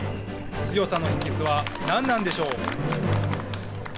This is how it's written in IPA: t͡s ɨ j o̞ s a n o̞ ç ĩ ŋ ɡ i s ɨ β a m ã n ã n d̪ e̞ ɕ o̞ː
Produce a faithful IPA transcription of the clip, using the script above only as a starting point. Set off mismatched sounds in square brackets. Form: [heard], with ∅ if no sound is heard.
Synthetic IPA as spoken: t͡s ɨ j o̞ s a n o̞ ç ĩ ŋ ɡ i [t͡s] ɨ β a [n] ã [nː] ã n d̪ e̞ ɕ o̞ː